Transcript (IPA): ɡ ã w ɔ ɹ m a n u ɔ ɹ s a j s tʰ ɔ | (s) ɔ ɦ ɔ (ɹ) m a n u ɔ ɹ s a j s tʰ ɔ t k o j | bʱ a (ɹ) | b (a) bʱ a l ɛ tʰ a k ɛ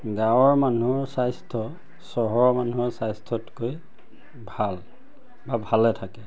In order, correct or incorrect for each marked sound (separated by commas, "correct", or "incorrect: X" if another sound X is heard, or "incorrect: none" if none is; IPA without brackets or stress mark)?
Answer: correct, correct, incorrect: l, correct